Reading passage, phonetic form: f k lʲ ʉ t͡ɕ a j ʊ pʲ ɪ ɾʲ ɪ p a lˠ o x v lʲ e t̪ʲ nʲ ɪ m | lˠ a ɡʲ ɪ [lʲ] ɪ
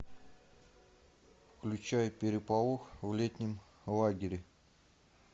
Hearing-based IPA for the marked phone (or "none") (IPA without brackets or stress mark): ɾʲ